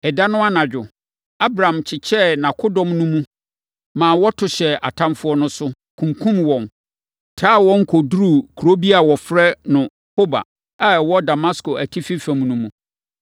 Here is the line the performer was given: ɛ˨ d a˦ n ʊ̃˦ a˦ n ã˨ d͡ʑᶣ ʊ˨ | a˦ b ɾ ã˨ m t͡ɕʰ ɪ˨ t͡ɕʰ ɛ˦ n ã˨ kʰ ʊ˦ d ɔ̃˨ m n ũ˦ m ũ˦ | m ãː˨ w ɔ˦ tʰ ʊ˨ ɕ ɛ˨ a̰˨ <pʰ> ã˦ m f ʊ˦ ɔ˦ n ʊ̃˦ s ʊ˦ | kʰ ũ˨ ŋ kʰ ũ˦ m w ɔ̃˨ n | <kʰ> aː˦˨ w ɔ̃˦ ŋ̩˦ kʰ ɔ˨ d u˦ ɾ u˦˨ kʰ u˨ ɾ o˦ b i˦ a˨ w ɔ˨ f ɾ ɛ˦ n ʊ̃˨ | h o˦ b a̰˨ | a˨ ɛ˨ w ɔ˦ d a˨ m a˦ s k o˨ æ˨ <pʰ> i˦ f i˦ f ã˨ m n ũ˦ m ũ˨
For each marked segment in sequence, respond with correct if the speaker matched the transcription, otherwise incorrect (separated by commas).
incorrect, incorrect, incorrect